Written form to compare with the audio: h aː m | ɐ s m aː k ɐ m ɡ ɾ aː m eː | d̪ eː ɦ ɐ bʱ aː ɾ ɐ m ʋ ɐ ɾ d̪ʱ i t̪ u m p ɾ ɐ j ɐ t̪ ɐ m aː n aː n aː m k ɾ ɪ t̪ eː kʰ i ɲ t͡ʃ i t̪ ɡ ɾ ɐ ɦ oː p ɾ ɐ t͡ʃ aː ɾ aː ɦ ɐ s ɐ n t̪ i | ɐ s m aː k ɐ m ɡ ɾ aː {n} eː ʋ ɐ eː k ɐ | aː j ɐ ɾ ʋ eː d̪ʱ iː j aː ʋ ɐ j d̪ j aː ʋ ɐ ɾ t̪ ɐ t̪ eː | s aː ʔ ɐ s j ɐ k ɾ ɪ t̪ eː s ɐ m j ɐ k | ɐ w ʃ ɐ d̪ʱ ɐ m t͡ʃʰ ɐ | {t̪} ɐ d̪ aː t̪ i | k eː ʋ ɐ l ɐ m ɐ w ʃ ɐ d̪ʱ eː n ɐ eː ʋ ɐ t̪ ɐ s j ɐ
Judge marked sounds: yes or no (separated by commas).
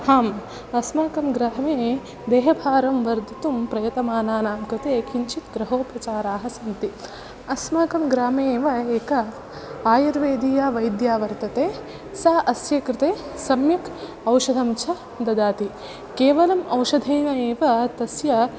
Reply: no, no